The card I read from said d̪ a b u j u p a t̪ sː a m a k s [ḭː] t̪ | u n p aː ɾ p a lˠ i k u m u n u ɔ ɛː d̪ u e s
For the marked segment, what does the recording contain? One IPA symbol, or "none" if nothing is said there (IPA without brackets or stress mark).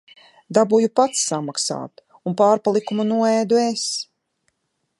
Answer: a̰ː